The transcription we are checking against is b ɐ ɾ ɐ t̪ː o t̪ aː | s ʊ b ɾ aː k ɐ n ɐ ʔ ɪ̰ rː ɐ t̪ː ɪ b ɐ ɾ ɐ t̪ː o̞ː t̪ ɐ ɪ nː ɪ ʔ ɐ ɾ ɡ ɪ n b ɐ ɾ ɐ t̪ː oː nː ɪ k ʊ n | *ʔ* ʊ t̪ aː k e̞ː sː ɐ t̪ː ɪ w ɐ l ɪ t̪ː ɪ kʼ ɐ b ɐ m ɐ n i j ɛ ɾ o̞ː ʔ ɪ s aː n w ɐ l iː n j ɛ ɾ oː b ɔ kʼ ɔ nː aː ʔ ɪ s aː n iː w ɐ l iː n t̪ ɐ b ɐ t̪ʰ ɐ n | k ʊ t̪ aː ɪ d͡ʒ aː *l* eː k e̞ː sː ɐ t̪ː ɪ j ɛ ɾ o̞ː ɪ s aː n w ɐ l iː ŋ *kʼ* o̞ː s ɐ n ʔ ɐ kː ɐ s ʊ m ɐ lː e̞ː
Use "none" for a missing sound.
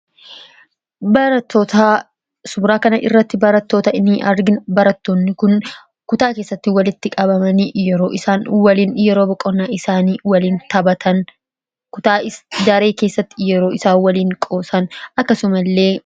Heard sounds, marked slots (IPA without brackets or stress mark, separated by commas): k, ɾ, kʼ